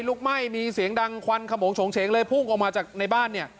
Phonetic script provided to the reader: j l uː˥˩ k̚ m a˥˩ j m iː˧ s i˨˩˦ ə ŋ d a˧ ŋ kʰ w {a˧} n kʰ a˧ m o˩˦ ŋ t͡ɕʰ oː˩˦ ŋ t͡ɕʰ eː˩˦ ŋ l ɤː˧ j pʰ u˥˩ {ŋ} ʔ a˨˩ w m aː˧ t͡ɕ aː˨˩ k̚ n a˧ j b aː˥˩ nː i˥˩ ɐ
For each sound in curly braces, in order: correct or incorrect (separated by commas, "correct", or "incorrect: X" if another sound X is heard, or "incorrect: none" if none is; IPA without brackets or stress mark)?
correct, correct